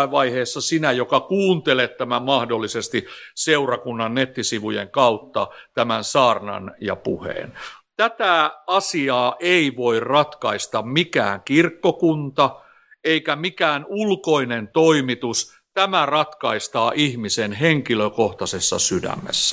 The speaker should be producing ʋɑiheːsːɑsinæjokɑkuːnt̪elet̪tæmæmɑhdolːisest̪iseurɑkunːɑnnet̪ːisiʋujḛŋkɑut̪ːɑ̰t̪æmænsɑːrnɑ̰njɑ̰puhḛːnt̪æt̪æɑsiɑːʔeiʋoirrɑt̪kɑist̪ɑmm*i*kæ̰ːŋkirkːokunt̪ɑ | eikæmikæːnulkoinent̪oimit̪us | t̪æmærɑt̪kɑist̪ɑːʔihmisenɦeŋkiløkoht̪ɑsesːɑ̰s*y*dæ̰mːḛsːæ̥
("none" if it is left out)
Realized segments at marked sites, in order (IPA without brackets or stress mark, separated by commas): i, y